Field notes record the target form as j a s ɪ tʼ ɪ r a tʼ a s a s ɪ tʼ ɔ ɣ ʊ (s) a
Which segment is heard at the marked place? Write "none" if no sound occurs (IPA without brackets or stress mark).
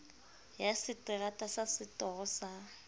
s